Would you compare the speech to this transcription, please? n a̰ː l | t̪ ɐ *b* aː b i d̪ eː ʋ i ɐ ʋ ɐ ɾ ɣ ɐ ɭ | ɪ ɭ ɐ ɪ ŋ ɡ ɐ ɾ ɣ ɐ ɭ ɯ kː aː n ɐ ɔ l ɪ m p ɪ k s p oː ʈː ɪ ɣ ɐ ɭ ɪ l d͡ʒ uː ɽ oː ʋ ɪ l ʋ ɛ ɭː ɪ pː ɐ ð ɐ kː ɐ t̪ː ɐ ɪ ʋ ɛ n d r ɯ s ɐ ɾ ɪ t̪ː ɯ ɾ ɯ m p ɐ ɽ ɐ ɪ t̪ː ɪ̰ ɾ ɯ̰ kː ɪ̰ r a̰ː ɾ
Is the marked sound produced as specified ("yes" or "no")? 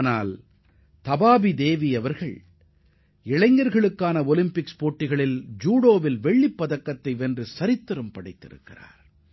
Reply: yes